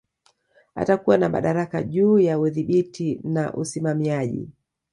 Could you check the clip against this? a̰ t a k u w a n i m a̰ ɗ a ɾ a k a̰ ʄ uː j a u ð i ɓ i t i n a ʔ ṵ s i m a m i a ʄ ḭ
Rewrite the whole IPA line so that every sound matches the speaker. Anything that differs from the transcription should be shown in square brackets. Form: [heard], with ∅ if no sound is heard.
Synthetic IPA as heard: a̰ t a k u w a n [a] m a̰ ɗ a ɾ a k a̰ ʄ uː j a u ð i ɓ i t i n a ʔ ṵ s i m a m i a ʄ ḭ